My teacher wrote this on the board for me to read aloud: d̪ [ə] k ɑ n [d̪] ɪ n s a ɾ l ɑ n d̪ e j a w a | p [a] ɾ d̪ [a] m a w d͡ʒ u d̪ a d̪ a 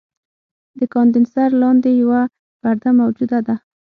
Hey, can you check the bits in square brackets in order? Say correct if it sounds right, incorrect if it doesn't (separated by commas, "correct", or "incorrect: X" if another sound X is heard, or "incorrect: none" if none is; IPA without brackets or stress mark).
correct, correct, correct, correct